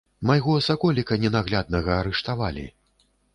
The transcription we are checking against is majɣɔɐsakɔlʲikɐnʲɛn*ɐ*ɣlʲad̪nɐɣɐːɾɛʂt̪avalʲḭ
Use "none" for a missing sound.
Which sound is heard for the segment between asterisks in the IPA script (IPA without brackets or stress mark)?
a